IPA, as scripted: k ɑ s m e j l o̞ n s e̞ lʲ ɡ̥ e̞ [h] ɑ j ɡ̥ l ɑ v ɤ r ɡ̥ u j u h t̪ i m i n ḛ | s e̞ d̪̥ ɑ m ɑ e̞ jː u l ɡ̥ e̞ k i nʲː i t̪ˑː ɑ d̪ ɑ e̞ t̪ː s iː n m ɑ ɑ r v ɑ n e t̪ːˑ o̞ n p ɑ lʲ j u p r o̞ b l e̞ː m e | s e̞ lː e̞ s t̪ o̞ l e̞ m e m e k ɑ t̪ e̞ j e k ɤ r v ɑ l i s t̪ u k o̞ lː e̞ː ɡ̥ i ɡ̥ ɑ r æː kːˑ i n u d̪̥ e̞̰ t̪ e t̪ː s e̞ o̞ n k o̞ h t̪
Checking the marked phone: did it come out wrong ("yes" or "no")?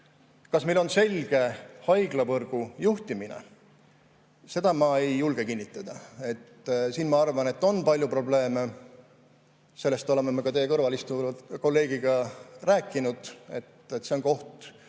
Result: no